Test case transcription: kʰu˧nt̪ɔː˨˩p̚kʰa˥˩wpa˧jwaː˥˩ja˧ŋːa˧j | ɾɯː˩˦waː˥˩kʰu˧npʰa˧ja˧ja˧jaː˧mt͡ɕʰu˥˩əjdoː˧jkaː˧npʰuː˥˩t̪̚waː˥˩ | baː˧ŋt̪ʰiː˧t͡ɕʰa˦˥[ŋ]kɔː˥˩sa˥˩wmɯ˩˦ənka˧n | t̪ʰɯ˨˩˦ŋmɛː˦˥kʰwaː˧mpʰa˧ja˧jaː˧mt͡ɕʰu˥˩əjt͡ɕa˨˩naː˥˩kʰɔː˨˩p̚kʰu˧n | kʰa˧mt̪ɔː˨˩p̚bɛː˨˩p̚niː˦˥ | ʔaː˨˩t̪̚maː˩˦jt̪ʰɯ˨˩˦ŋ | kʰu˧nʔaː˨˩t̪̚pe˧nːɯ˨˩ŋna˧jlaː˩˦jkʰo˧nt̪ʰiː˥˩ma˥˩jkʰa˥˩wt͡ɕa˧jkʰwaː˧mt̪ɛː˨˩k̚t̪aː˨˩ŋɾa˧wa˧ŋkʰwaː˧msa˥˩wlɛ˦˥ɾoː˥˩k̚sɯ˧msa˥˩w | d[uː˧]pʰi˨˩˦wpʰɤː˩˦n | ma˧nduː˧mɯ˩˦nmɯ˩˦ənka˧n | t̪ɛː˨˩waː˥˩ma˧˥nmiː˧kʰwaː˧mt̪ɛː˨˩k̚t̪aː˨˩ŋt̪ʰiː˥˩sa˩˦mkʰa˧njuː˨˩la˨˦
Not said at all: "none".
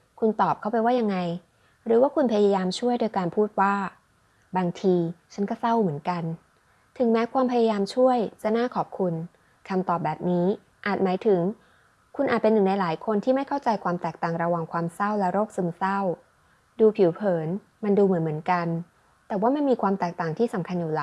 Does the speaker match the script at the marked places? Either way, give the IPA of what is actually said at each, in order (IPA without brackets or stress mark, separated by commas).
n, uː˧